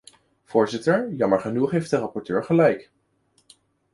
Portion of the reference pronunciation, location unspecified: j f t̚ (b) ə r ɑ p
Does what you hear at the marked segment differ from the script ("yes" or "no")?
yes